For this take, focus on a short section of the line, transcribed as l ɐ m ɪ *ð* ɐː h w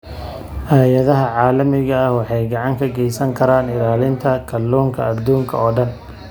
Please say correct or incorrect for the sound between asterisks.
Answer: incorrect